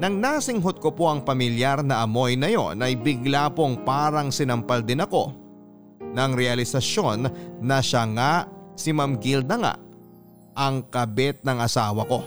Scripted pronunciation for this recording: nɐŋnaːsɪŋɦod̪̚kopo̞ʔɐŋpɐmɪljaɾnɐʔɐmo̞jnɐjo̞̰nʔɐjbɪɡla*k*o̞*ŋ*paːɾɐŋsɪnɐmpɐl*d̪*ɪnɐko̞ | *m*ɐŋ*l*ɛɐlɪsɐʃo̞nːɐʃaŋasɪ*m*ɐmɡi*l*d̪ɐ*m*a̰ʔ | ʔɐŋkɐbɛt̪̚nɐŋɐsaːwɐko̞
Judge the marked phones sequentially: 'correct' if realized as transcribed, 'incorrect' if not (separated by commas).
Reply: incorrect, correct, correct, incorrect, incorrect, correct, correct, incorrect